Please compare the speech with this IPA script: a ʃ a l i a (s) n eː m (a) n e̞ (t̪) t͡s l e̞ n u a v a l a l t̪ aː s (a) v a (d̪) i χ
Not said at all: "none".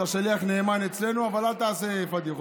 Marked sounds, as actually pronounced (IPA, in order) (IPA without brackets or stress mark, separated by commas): χ, a, none, e, d̪